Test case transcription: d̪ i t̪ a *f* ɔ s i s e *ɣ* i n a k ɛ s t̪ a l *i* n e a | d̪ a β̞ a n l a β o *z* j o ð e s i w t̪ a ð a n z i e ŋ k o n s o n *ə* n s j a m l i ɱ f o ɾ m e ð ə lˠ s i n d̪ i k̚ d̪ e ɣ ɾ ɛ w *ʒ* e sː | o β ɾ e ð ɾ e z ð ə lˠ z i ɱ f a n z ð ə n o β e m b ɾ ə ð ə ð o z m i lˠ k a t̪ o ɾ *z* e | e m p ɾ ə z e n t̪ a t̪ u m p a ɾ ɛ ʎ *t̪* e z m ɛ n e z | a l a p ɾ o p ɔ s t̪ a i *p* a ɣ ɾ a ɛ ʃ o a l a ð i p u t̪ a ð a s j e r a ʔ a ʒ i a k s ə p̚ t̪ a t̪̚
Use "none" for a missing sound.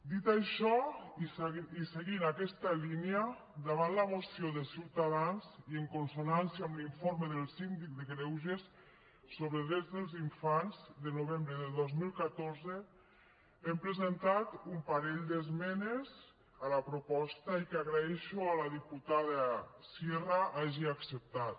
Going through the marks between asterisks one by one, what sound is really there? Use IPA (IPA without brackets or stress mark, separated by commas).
ʃ, ɣ, i, s, a, ʒ, z, d̪, k